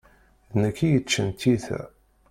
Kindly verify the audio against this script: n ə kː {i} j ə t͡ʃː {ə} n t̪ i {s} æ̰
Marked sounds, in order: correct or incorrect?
correct, correct, incorrect: θ

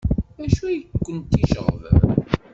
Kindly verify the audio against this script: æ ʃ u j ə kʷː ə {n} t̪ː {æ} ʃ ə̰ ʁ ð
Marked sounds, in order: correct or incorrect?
correct, incorrect: i

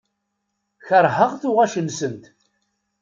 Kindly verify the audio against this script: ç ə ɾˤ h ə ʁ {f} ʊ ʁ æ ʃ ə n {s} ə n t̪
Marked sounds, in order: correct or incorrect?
incorrect: θ, correct

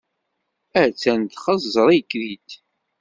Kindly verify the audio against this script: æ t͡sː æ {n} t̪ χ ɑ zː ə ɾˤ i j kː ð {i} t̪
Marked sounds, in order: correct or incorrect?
correct, correct

